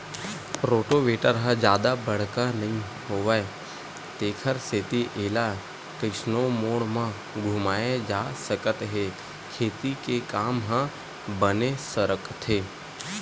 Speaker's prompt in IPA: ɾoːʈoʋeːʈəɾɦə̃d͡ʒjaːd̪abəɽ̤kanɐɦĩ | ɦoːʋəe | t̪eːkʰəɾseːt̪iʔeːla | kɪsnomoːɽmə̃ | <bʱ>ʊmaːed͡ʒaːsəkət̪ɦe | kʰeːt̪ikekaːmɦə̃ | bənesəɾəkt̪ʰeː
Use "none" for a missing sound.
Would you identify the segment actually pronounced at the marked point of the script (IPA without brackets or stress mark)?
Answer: ɡʱ